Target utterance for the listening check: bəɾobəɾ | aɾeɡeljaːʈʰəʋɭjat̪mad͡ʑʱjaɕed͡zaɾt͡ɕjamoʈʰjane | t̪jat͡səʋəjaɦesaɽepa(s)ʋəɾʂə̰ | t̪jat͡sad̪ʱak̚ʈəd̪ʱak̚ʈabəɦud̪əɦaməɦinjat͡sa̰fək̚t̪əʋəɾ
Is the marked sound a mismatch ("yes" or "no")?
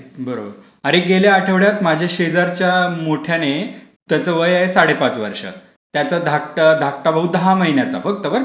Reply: yes